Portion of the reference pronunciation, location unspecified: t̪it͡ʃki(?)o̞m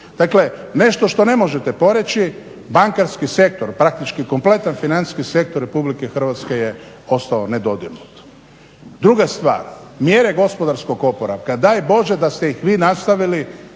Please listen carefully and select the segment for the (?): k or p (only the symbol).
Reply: k